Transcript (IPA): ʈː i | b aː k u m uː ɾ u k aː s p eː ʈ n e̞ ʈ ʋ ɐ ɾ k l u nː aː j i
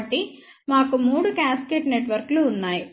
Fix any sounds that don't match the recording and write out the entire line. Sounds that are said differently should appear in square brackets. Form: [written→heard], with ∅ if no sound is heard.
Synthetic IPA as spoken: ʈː i | [b→m] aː k u m uː [ɾ→ɽ] u k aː s [p→k] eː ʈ n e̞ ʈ ʋ ɐ ɾ k l [u→uː] nː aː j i